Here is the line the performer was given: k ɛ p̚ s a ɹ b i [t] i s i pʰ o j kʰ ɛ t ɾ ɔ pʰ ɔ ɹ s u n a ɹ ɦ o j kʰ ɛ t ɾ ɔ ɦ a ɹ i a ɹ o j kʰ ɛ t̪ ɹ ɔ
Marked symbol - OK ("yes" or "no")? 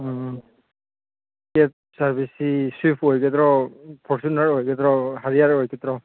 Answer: no